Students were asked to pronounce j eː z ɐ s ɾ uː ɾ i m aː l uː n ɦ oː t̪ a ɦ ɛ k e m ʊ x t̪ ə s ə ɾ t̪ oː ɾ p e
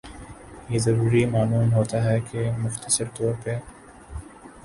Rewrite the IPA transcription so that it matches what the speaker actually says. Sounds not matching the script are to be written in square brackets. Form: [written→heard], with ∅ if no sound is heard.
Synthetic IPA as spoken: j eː z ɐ [s→∅] ɾ uː ɾ i m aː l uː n ɦ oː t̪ a ɦ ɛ k e m ʊ x t̪ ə s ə ɾ t̪ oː ɾ p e